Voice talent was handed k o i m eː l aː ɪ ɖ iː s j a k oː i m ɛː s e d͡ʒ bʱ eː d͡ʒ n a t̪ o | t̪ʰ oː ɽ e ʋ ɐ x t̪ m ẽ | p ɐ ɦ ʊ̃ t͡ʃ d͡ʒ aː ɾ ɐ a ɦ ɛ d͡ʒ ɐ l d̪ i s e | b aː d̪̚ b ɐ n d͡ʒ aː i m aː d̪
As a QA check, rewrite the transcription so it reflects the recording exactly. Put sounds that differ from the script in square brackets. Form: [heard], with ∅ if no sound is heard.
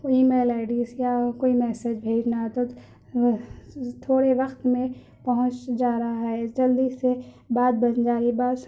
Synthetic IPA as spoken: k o i m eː l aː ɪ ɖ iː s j a k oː i m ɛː s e d͡ʒ bʱ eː d͡ʒ n a t̪ o | t̪ʰ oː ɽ e ʋ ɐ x t̪ m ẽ | p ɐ ɦ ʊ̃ t͡ʃ d͡ʒ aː ɾ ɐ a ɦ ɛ d͡ʒ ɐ l d̪ i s e | b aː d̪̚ b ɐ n d͡ʒ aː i [b] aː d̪